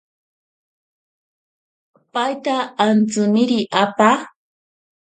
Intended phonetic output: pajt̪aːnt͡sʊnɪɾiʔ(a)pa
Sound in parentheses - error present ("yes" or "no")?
no